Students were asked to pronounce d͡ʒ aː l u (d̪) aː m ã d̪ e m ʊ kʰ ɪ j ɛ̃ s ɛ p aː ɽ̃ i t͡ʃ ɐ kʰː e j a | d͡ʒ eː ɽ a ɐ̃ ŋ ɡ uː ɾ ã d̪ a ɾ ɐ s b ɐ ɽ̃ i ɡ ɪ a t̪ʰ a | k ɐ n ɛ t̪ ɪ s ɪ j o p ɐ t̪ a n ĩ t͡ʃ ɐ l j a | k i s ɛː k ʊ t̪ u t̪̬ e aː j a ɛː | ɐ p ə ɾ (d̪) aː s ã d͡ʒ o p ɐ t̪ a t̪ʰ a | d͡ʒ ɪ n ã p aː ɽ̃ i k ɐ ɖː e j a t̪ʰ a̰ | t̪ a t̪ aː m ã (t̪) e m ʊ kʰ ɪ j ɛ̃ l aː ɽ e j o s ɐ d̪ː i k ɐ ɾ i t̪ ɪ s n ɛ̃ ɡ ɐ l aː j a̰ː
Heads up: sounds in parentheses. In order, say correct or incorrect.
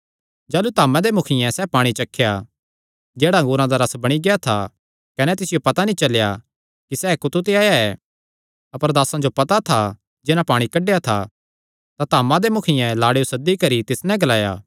incorrect: t̪, correct, incorrect: d̪

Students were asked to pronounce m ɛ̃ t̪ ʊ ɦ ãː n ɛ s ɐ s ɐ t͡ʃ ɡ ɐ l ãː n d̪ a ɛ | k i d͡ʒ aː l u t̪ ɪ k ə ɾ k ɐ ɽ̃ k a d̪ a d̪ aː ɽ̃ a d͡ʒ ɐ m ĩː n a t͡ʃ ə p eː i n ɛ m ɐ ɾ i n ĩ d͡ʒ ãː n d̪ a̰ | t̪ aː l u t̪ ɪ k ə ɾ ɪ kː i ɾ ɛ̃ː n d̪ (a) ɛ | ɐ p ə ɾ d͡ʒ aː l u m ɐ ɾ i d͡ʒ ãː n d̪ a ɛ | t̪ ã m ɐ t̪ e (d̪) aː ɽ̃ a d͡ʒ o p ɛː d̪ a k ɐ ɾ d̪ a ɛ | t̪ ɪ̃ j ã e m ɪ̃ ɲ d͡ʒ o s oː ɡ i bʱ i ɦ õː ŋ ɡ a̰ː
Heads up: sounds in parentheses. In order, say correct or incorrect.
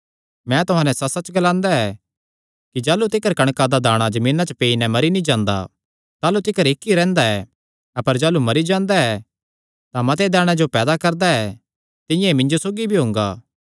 correct, correct

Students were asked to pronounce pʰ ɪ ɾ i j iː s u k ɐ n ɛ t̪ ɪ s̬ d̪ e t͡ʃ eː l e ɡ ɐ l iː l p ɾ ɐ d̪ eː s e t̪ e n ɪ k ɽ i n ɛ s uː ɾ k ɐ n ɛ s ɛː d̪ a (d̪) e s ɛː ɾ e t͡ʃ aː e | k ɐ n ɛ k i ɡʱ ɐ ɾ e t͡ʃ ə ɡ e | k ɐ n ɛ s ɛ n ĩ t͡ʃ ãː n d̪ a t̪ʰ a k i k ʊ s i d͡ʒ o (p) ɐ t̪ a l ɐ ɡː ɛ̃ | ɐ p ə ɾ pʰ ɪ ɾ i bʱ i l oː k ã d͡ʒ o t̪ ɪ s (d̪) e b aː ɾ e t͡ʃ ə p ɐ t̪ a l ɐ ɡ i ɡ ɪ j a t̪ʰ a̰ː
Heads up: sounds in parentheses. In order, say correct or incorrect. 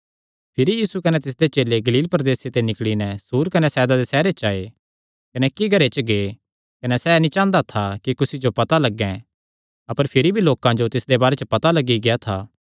correct, correct, correct

